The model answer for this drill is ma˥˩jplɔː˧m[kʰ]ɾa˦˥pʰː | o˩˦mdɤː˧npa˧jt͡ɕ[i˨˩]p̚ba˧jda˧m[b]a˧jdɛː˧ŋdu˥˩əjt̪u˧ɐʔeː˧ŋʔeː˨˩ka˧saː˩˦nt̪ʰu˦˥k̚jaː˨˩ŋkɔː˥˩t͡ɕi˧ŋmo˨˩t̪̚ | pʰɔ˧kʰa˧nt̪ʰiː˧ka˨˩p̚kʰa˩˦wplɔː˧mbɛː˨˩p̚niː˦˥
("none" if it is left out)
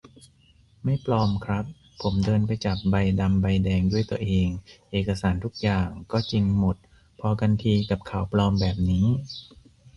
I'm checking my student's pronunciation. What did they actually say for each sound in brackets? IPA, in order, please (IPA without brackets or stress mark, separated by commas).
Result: kʰ, a˨˩, b